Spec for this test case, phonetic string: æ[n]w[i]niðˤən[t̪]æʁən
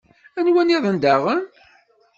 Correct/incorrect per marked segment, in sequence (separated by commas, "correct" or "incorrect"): correct, incorrect, incorrect